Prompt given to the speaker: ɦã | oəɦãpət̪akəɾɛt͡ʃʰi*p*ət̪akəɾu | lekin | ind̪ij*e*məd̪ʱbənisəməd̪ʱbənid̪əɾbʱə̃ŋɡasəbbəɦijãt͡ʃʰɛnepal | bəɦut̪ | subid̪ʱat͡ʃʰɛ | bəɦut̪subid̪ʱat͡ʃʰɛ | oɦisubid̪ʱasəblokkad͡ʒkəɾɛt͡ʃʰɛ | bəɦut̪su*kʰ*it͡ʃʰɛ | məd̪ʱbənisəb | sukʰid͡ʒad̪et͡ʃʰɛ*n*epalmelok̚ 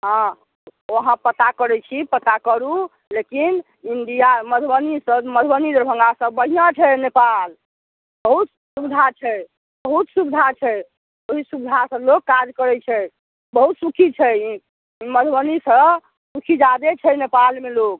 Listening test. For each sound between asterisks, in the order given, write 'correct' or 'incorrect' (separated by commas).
correct, incorrect, correct, correct